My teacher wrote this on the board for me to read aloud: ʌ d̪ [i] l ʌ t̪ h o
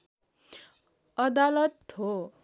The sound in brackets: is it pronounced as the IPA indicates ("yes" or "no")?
no